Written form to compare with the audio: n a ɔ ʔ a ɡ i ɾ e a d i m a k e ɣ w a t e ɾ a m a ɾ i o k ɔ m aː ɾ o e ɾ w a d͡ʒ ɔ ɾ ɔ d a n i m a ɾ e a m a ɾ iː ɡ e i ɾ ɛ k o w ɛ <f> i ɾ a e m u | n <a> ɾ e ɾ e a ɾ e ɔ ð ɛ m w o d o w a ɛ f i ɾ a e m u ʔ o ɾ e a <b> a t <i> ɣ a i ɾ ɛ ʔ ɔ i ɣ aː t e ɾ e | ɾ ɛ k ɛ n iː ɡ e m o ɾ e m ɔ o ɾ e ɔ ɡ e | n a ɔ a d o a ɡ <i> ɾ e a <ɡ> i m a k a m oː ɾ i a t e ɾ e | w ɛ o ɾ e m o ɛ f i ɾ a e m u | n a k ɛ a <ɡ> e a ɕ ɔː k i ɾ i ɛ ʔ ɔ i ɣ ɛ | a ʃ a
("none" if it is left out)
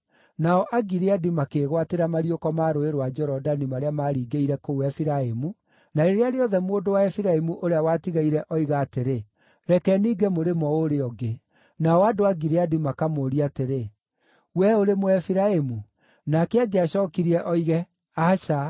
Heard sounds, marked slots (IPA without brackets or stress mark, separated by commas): f, a, w, i, i, d, ɡ